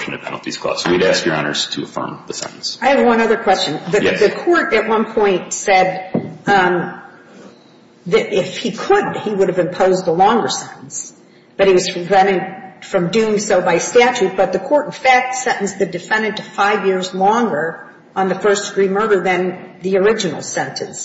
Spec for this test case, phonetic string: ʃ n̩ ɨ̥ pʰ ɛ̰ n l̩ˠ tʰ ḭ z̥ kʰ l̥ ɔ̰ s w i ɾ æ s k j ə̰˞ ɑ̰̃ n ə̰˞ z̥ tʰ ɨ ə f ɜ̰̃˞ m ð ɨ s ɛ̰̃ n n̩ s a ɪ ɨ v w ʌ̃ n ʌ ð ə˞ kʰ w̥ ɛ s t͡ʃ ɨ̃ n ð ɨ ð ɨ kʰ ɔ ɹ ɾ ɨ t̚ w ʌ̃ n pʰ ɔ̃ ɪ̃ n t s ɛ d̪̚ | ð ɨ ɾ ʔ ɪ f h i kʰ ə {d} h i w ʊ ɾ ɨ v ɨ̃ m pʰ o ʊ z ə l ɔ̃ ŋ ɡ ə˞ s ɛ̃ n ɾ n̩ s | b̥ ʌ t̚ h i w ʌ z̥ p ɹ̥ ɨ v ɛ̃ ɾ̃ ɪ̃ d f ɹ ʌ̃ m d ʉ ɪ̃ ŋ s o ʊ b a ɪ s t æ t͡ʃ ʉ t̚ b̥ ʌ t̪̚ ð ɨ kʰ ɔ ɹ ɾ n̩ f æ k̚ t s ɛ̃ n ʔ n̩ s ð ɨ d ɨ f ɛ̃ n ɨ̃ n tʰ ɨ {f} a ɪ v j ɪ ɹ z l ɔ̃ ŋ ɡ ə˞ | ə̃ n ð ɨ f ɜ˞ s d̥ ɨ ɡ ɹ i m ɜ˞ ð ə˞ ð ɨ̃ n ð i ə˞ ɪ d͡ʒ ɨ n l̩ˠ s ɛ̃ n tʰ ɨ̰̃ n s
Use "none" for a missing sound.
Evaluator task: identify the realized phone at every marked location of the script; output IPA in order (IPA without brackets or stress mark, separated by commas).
d, f